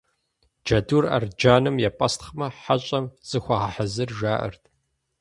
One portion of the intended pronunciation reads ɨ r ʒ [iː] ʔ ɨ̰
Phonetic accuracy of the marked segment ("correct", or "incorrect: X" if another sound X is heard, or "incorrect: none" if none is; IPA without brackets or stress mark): incorrect: aː